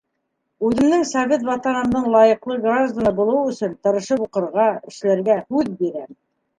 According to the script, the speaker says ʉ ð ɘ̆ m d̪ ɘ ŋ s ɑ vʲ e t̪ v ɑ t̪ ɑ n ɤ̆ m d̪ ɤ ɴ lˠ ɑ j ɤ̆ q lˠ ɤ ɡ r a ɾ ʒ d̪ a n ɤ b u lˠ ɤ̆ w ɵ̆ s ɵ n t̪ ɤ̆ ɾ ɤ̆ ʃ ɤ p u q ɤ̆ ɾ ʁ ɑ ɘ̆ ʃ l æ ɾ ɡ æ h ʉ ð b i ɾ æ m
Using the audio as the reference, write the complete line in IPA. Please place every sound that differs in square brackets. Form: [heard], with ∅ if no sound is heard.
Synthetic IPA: ʉ ð ɘ̆ m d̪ ɘ ŋ s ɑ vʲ e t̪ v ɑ t̪ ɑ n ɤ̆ m d̪ ɤ ɴ lˠ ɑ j ɤ̆ q lˠ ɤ ɡ r a [∅] ʒ d̪ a n ɤ b u lˠ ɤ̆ w ɵ̆ s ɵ n t̪ ɤ̆ ɾ ɤ̆ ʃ ɤ p u q ɤ̆ ɾ ʁ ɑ ɘ̆ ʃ l æ ɾ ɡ æ h ʉ ð b i ɾ æ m